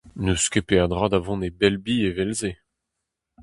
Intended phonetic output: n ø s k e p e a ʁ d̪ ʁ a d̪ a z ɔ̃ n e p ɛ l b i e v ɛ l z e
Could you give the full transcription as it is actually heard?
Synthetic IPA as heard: n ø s k e p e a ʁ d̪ ʁ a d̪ a v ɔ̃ n e b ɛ l b i e v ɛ l z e